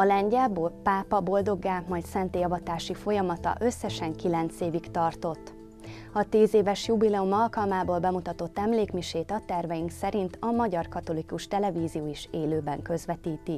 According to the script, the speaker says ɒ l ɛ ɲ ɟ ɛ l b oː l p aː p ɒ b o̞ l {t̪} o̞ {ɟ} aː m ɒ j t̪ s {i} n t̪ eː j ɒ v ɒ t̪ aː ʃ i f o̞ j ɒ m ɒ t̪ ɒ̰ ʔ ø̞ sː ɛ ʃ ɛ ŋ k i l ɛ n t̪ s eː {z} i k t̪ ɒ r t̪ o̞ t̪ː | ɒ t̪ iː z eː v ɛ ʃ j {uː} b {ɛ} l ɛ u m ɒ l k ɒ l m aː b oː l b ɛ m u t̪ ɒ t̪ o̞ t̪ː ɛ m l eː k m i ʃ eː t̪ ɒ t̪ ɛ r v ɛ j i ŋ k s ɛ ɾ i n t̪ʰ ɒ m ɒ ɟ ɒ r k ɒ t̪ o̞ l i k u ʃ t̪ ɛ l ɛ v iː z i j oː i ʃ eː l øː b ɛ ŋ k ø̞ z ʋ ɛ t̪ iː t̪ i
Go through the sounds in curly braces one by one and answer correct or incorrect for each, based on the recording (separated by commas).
incorrect, incorrect, incorrect, incorrect, incorrect, incorrect